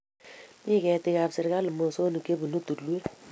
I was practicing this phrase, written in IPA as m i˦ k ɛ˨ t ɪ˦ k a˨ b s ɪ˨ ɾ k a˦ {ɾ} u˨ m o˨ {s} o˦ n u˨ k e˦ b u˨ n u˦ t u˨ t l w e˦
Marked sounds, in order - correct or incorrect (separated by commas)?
incorrect, correct